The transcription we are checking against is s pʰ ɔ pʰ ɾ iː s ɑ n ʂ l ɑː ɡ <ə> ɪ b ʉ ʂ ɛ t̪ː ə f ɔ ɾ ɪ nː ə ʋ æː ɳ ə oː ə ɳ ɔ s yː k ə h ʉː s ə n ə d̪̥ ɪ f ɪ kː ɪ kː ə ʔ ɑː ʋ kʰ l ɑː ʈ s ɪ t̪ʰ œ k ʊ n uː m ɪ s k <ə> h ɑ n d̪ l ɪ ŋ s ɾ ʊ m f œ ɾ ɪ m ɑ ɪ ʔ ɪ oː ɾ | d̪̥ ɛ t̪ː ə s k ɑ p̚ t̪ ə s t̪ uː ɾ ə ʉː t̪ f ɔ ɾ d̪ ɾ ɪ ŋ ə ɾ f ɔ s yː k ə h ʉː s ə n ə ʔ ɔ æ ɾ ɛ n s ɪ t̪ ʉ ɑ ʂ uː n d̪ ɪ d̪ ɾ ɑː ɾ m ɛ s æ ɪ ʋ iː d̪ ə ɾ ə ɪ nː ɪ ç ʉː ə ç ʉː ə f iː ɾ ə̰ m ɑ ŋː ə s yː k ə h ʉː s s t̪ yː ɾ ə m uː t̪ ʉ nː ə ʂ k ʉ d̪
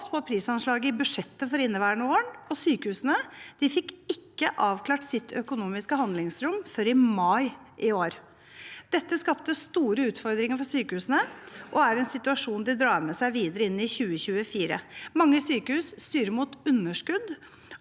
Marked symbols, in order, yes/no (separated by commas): yes, yes